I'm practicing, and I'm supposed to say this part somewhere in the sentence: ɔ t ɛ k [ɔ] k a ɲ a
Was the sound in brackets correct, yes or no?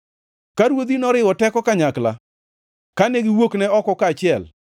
yes